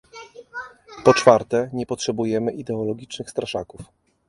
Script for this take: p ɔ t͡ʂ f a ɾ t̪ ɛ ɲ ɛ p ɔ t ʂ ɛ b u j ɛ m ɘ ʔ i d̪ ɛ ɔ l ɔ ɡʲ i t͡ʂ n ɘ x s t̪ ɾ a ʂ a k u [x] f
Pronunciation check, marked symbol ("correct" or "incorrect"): incorrect